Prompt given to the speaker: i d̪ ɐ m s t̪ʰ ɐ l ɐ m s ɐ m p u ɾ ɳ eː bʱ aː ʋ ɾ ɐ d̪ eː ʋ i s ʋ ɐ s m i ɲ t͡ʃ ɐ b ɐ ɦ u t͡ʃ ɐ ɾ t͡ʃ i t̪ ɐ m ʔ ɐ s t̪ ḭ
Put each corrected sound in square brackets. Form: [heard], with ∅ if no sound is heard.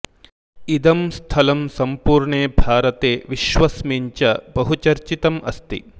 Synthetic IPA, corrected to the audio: i d̪ ɐ m s t̪ʰ ɐ l ɐ m s ɐ m p [uː] ɾ ɳ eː bʱ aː [∅] ɾ ɐ [t̪] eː ʋ i [ʃ] ʋ ɐ s m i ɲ t͡ʃ ɐ b ɐ ɦ u t͡ʃ ɐ ɾ t͡ʃ i t̪ ɐ m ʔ ɐ s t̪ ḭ